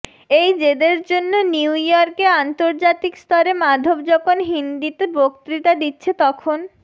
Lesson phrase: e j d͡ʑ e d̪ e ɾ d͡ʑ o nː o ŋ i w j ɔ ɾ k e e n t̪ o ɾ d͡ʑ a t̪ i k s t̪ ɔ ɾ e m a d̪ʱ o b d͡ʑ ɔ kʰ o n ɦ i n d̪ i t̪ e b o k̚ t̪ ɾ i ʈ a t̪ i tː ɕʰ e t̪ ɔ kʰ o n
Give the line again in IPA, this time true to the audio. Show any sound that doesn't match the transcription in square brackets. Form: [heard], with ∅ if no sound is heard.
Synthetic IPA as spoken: e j d͡ʑ e d̪ e ɾ d͡ʑ o nː o [n] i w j ɔ ɾ k e [a] n t̪ o ɾ d͡ʑ a t̪ i k s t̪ ɔ ɾ e m a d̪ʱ o b d͡ʑ ɔ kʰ o n ɦ i n d̪ i t̪ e b o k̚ t̪ ɾ i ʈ a [d̪] i tː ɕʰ e t̪ ɔ kʰ o n